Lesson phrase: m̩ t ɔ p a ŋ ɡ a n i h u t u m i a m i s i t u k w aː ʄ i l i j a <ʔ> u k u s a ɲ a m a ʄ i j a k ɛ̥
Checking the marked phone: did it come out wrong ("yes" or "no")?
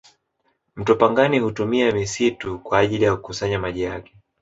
yes